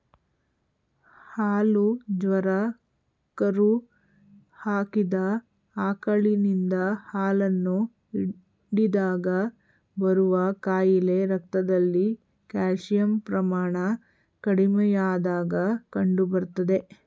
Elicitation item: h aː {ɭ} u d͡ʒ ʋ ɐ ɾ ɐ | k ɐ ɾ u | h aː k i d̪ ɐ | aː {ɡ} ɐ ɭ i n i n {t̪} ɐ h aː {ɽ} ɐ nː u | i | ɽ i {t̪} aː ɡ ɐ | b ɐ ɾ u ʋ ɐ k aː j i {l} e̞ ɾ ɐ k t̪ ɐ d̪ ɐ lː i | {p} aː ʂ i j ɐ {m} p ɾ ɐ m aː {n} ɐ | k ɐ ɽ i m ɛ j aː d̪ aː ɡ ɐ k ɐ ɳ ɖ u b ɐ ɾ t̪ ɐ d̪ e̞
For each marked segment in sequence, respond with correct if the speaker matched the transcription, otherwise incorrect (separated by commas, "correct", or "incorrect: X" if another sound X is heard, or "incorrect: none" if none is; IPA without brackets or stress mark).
incorrect: l, incorrect: k, incorrect: d̪, incorrect: l, incorrect: d̪, correct, incorrect: k, correct, incorrect: ɳ